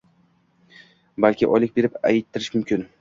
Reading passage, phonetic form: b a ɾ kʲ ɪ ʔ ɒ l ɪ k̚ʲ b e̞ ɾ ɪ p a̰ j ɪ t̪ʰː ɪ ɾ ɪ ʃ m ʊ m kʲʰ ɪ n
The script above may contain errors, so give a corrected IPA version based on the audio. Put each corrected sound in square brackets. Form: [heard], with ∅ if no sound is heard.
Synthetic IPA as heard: b a [l] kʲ ɪ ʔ ɒ l ɪ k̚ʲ b e̞ ɾ ɪ p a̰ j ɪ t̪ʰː ɪ ɾ ɪ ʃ m ʊ m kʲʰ ɪ n